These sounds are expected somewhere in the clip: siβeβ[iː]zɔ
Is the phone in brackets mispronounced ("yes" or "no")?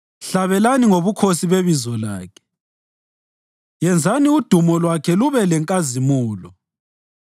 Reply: yes